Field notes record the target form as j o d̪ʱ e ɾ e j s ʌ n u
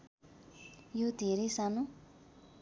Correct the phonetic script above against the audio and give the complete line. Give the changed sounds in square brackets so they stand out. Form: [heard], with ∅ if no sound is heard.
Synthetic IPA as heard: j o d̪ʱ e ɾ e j s [a] n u